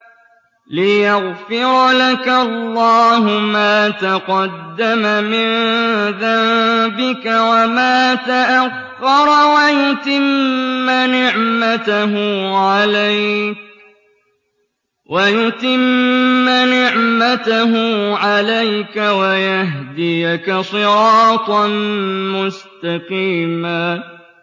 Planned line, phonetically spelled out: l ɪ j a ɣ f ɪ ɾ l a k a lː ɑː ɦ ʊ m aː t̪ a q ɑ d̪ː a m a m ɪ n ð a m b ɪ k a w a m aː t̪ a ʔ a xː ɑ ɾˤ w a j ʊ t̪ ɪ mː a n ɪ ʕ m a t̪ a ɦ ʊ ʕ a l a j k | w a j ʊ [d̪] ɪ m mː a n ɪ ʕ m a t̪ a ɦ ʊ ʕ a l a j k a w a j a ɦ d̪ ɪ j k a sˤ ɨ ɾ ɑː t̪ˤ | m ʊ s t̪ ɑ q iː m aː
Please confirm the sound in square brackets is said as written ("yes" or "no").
no